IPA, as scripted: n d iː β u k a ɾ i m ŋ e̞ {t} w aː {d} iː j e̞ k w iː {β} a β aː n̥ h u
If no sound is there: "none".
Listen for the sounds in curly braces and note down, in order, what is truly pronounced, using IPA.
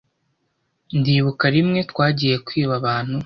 t, ɟ, β

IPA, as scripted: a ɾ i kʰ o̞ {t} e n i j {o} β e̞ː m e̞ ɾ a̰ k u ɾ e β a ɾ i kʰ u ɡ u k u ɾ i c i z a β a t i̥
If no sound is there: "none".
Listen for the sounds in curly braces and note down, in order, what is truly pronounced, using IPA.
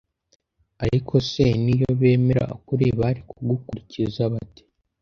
s, o

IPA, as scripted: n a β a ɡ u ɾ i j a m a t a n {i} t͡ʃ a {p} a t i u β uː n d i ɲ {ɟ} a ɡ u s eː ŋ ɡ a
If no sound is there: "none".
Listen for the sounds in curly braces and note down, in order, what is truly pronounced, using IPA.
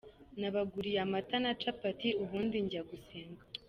a, p, ɟ

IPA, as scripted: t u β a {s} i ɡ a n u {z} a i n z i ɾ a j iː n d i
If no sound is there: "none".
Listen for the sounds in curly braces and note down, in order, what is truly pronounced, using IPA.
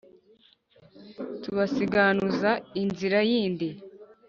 s, z

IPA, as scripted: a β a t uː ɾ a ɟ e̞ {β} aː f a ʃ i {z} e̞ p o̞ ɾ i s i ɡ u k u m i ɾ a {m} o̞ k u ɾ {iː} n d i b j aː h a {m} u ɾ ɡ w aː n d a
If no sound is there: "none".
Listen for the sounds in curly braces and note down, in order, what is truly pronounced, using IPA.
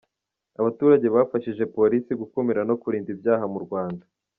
β, ʒ, n, iː, m

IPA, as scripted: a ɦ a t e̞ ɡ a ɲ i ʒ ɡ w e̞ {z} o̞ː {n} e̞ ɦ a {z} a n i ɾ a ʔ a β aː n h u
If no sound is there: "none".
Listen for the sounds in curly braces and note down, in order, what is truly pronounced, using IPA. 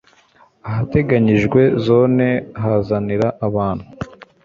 z, n, z

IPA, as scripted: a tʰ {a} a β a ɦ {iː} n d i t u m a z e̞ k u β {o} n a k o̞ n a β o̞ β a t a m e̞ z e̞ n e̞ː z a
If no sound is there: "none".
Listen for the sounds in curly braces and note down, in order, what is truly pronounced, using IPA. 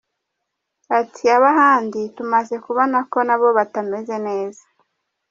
i, aː, o

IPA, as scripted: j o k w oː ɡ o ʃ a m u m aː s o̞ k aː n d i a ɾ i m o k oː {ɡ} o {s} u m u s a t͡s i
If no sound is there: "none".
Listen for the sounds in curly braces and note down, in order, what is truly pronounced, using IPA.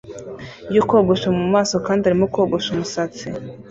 ɡ, ʃ

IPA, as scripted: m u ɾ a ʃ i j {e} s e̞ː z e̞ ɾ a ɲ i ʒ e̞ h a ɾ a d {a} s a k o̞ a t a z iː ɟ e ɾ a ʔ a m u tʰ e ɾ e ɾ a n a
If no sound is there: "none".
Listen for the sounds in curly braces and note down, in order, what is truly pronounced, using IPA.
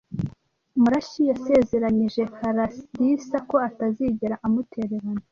a, i

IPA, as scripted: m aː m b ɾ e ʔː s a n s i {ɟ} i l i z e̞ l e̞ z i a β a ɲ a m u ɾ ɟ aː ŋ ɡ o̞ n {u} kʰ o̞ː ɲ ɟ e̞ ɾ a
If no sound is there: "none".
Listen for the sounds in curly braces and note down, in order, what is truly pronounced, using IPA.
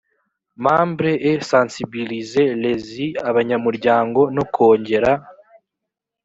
b, o

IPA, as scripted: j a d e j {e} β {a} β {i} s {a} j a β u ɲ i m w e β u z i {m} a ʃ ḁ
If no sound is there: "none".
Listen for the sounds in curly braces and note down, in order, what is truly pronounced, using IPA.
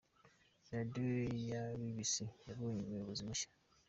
a, i, i, i, m

